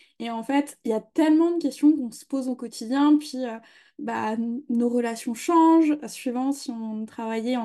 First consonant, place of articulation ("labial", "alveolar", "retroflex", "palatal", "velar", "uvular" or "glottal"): labial